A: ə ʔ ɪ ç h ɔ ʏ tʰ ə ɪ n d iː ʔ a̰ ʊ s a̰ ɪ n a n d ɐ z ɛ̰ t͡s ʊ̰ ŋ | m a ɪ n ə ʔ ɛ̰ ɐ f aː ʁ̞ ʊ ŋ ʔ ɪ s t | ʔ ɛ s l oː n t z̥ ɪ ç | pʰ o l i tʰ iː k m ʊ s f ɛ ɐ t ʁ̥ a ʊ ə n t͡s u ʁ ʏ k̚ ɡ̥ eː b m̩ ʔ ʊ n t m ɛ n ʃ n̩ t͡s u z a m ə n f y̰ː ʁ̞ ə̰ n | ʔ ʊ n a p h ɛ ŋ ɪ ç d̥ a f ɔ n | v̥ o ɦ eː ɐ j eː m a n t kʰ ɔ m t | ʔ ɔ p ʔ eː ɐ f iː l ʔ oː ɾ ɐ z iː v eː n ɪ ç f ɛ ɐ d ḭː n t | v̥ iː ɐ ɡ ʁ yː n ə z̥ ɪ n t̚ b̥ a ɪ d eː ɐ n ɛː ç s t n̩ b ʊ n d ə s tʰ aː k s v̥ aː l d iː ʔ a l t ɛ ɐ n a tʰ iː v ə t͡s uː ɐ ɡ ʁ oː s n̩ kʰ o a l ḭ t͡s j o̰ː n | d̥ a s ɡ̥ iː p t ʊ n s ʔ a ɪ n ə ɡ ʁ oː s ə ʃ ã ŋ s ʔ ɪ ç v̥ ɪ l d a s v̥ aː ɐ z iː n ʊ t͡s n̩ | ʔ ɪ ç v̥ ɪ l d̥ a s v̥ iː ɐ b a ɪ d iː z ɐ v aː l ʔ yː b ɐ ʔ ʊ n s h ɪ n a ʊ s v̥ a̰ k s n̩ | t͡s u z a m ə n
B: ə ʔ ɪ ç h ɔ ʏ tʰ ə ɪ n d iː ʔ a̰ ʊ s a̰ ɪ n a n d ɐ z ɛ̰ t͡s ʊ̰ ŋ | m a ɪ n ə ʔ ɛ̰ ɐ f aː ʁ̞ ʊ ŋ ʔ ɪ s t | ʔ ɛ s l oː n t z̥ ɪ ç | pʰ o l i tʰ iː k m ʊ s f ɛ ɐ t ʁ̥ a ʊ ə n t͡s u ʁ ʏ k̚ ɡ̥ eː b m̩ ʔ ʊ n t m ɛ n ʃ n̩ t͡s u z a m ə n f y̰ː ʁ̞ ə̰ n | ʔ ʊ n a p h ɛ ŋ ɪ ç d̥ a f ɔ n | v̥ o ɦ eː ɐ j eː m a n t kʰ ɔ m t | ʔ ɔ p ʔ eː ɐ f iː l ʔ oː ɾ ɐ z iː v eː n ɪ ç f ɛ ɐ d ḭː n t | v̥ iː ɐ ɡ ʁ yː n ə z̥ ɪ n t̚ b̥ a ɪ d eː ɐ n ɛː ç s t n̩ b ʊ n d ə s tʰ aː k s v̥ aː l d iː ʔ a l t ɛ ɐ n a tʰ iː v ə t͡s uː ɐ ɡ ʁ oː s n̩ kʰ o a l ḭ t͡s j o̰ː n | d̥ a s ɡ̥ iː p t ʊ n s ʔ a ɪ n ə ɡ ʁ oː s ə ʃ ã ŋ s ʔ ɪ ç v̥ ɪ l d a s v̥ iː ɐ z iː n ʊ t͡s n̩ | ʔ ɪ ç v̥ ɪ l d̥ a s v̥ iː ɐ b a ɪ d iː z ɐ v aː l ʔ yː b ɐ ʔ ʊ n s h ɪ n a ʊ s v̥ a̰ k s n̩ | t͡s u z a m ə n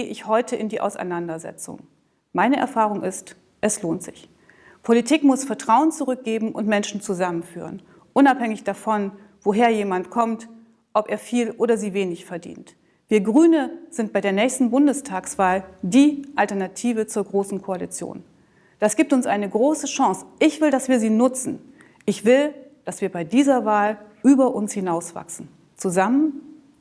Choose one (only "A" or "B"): B